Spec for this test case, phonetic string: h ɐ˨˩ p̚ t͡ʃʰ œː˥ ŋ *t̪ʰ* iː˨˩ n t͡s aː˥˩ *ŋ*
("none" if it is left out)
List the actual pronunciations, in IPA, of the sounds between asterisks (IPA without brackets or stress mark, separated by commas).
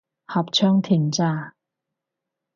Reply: t̪ʰ, none